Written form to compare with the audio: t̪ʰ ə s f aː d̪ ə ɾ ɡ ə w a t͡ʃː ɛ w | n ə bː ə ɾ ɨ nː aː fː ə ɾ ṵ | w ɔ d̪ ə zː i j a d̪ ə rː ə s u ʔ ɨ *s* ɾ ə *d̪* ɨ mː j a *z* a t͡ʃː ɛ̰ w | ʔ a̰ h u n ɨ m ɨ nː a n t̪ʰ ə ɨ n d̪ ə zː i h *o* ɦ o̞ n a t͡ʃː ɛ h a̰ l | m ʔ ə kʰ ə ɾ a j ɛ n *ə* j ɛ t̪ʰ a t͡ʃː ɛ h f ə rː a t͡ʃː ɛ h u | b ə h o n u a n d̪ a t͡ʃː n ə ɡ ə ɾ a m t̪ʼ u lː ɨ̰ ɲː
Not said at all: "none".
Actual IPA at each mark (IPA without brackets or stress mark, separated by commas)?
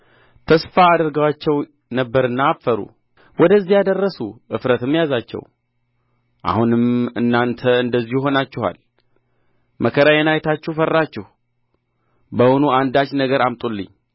f, t̪, z, u, a